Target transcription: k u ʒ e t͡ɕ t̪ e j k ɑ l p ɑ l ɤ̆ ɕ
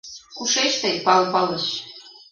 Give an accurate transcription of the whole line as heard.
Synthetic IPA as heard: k u ʃ e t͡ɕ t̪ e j p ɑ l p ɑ l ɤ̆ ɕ